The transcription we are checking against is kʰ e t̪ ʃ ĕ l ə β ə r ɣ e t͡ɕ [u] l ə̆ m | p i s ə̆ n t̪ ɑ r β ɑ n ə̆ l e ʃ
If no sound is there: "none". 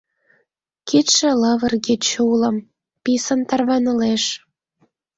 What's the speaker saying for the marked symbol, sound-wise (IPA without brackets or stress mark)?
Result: u